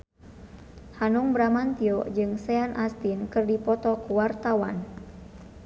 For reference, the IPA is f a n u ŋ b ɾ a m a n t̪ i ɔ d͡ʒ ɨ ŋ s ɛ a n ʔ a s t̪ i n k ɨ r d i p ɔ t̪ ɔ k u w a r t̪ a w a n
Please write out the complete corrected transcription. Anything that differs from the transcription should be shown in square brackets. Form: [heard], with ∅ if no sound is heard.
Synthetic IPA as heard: [h] a n u ŋ b ɾ a m a n t̪ i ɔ d͡ʒ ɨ ŋ s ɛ a n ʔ a s t̪ i n k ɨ r d i p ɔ t̪ ɔ k u w a r t̪ a w a n